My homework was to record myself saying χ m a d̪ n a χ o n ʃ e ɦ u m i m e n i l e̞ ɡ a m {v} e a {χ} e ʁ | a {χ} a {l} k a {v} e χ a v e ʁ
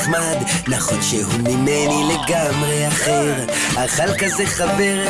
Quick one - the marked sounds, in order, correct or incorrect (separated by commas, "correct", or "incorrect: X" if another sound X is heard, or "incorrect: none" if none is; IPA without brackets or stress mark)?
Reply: incorrect: ʁ, correct, correct, correct, incorrect: z